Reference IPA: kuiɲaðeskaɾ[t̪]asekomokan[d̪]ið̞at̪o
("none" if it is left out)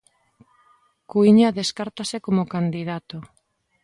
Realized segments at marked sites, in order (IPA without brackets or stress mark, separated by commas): t̪, d̪